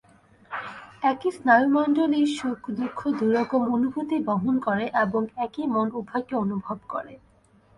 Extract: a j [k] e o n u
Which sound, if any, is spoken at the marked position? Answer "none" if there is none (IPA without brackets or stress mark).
k